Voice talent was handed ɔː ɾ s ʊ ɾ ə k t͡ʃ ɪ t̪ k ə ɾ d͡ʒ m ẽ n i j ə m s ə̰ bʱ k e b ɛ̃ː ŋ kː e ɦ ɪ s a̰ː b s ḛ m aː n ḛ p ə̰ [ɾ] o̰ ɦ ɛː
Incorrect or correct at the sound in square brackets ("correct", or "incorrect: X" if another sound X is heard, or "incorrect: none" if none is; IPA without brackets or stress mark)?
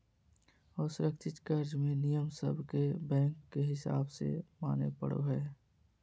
incorrect: ɽ